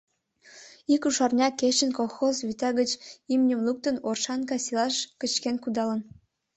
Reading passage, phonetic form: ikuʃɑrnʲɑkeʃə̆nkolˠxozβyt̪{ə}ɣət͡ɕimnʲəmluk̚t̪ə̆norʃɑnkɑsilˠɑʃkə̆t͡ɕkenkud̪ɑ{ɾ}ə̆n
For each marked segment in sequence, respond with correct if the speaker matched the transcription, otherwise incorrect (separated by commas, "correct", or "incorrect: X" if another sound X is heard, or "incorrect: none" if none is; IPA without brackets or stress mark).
incorrect: ɑ, incorrect: l